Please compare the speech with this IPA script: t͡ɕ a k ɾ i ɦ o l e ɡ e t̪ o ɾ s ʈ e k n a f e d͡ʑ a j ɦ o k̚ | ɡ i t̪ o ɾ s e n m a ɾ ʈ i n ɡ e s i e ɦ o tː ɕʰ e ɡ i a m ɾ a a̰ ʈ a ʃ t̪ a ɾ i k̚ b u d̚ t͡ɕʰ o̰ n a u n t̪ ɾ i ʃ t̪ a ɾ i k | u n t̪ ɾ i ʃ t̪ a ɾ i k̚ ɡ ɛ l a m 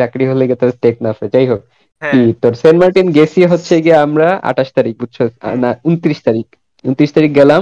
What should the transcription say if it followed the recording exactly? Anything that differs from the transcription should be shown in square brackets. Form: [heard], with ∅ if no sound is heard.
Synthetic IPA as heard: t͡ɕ a k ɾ i ɦ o l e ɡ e t̪ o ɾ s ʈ e k n a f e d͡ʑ a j ɦ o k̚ | [k] i t̪ o ɾ s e n m a ɾ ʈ i n ɡ e s i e ɦ o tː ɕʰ e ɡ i a m ɾ a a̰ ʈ a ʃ t̪ a ɾ i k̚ b u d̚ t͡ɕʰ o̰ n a u n t̪ ɾ i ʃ t̪ a ɾ i k | u n t̪ ɾ i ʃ t̪ a ɾ i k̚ ɡ ɛ l a m